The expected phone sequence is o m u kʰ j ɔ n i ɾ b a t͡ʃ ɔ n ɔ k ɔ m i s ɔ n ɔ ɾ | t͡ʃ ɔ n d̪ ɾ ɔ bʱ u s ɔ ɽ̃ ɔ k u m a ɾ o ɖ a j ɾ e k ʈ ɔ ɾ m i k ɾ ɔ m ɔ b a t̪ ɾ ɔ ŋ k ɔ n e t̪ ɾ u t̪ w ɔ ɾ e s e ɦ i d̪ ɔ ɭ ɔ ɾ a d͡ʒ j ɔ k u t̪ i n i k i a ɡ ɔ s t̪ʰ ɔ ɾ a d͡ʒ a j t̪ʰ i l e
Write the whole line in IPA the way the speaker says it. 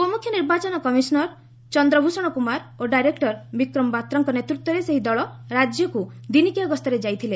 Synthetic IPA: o m u kʰ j ɔ n i ɾ b a t͡ʃ ɔ n ɔ k ɔ m i s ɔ n ɔ ɾ | t͡ʃ ɔ n d̪ ɾ ɔ bʱ u s ɔ ɽ̃ ɔ k u m a ɾ o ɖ a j ɾ e k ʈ ɔ ɾ b i k ɾ ɔ m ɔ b a t̪ ɾ ɔ ŋ k ɔ n e t̪ ɾ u t̪ w ɔ ɾ e s e ɦ i d̪ ɔ ɭ ɔ ɾ a d͡ʒ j ɔ k u d̪ i n i k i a ɡ ɔ s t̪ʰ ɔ ɾ e d͡ʒ a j t̪ʰ i l e